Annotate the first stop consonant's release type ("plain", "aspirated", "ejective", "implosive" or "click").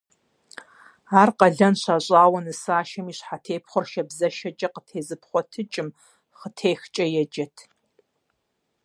plain